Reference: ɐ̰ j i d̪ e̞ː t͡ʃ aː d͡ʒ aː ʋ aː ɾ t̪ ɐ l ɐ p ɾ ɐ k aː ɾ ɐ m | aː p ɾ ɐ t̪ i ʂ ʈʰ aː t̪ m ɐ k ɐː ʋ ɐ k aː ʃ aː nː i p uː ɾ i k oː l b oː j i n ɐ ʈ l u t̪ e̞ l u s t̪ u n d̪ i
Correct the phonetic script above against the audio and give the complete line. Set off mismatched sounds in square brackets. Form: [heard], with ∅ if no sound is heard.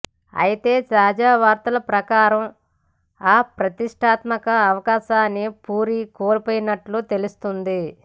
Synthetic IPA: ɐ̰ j i [t̪] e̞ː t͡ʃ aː d͡ʒ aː ʋ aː ɾ t̪ ɐ l ɐ p ɾ ɐ k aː ɾ ɐ m | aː p ɾ ɐ t̪ i ʂ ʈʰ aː t̪ m ɐ k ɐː ʋ ɐ k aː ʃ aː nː i p uː ɾ i k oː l [p] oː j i n ɐ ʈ l u t̪ e̞ l u s t̪ u n d̪ i